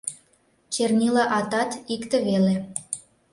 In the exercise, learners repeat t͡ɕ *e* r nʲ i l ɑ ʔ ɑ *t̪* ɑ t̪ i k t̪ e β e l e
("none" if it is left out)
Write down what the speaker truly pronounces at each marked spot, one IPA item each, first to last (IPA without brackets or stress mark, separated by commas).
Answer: e, t̪